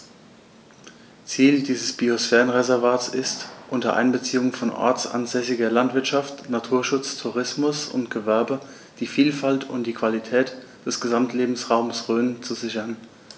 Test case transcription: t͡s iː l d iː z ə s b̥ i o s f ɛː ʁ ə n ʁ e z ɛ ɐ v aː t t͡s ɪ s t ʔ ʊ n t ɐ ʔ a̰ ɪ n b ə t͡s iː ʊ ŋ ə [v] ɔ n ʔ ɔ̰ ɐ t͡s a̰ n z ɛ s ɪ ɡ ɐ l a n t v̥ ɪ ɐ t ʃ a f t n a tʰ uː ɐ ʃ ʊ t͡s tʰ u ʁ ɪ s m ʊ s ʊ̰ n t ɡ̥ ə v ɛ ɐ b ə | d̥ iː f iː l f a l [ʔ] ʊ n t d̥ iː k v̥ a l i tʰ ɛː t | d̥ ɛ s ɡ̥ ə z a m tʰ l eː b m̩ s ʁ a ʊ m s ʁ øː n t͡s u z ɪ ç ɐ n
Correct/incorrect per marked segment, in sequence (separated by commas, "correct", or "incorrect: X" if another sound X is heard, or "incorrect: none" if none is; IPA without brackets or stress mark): incorrect: f, incorrect: t